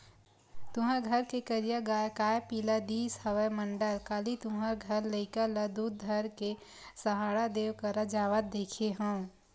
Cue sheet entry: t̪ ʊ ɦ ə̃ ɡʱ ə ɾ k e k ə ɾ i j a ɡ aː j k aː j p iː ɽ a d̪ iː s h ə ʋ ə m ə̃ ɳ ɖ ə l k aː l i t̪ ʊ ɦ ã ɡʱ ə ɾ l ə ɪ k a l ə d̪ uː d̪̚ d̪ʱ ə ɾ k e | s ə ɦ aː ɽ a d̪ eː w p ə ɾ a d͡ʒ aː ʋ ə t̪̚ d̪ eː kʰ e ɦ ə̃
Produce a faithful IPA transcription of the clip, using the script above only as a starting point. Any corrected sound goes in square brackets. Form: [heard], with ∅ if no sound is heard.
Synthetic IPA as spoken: t̪ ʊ ɦ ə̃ ɡʱ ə ɾ k e k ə ɾ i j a ɡ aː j k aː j p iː [l] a d̪ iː s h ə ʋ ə m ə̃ ɳ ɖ ə l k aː l i t̪ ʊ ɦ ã ɡʱ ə ɾ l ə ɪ k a l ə d̪ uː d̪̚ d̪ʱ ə ɾ k e | s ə ɦ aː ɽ a d̪ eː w [k] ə ɾ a d͡ʒ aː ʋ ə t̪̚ d̪ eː kʰ e ɦ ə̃